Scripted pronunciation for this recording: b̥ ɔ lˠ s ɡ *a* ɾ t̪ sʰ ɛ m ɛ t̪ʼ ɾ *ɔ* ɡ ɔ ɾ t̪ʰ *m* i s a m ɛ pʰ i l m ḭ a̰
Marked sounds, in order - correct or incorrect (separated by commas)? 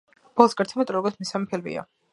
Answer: correct, correct, correct